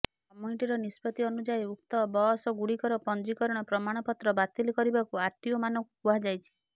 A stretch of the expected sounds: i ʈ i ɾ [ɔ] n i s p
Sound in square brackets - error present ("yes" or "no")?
no